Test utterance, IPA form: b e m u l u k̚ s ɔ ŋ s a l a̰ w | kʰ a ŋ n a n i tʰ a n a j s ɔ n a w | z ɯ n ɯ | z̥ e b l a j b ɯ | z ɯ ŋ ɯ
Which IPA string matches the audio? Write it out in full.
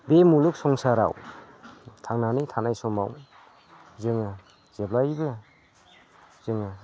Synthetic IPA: b e m u l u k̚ s ɔ ŋ s a ɾ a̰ w | tʰ a ŋ n a n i tʰ a n a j s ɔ m a w | z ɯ ŋ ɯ | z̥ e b l a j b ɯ | z ɯ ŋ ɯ